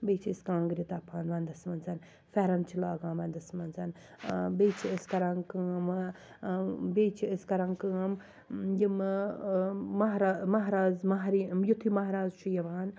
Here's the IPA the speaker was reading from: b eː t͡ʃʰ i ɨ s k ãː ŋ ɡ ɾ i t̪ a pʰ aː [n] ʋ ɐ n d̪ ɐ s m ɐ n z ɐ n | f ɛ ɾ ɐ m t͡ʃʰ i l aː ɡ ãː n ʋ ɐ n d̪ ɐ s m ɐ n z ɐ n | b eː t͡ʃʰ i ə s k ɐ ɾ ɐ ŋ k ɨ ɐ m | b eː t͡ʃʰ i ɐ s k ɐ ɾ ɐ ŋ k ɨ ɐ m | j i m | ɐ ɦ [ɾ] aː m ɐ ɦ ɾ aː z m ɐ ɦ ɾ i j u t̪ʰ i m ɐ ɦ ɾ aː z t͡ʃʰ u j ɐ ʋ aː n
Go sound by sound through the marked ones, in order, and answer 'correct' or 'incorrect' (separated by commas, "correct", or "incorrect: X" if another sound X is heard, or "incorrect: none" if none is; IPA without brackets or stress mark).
correct, correct